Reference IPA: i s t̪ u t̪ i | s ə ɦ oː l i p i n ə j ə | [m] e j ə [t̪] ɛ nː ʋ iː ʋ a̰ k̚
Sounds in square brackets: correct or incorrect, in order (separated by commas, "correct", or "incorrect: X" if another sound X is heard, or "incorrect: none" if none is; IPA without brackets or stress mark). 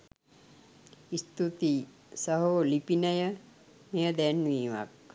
correct, incorrect: d̪